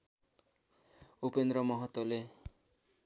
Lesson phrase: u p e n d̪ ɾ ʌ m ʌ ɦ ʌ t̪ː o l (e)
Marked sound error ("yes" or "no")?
no